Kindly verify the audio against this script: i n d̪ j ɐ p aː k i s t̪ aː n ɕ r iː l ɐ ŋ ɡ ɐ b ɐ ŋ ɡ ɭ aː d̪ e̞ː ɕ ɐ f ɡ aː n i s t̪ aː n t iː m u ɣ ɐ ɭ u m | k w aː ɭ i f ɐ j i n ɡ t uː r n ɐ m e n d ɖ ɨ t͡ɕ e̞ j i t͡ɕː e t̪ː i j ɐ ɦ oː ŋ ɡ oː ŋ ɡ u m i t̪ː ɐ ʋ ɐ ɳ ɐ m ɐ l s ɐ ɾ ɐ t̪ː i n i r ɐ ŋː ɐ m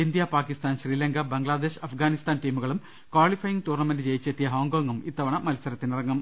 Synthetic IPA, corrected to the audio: i n d̪ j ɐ p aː k i s t̪ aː n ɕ r iː l ɐ ŋ ɡ ɐ b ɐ ŋ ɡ ɭ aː d̪ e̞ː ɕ ɐ f ɡ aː n i s t̪ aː n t iː m u ɣ ɐ ɭ u m | k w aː ɭ i f ɐ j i ŋ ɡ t uː r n ɐ m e n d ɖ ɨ t͡ɕ e̞ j i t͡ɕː e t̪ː i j ɐ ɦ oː ŋ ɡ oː ŋ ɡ u m i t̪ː ɐ ʋ ɐ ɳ ɐ m ɐ l s ɐ ɾ ɐ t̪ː i n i r ɐ ŋː ɐ m